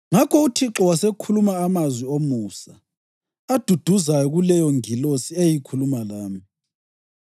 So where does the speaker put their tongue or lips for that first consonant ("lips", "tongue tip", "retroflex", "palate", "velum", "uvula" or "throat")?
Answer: velum